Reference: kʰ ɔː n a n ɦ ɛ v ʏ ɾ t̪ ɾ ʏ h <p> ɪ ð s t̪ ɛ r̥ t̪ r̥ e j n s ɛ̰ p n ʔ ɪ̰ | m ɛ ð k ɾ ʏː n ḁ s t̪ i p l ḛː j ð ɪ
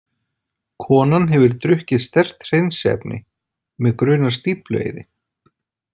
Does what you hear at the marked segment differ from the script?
yes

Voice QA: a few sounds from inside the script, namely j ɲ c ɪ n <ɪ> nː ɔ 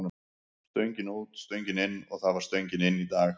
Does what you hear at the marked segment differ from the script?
no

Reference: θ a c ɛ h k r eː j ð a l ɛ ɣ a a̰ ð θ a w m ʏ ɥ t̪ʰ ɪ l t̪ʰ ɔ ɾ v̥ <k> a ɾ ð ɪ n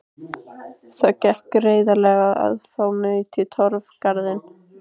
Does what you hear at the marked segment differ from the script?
no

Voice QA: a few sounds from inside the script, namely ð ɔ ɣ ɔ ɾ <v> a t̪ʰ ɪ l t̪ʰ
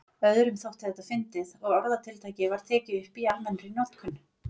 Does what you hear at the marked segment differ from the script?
yes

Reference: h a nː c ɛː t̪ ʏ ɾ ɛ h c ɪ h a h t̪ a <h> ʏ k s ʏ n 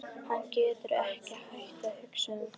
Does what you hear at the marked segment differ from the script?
no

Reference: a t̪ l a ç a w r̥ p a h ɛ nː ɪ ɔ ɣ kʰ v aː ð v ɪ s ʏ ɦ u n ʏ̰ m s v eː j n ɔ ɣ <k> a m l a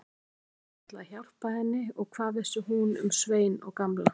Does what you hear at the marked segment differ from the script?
no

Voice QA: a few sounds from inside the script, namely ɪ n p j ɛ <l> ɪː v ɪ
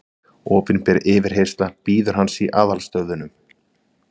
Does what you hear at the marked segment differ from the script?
yes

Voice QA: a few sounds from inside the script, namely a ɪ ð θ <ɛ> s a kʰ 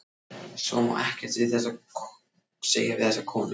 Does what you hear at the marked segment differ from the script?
no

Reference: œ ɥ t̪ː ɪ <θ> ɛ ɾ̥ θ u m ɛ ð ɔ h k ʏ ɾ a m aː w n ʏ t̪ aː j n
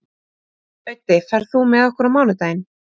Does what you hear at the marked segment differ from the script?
yes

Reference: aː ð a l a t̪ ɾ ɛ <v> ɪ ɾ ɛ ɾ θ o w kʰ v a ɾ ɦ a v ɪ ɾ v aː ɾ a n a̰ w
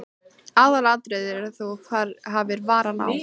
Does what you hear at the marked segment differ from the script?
yes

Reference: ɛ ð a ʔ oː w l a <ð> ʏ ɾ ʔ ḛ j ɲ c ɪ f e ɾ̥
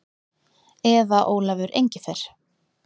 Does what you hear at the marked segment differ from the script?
yes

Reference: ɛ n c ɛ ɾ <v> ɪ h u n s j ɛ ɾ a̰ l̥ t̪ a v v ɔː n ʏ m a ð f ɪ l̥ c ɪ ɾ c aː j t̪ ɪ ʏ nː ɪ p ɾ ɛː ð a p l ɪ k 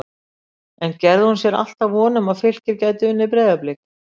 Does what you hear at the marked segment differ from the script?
yes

